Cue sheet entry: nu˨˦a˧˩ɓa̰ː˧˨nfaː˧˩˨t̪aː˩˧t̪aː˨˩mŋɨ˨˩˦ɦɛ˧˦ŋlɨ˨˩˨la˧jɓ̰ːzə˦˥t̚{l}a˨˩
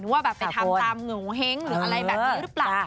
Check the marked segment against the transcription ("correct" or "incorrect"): correct